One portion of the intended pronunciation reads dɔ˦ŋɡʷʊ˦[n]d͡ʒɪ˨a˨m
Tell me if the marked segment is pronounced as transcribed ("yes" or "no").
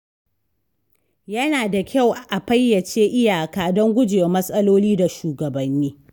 no